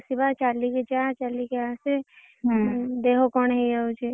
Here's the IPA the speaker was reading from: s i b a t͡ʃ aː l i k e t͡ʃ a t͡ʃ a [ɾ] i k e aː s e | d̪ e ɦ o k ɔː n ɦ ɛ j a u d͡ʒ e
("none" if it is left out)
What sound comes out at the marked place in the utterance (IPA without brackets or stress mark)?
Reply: l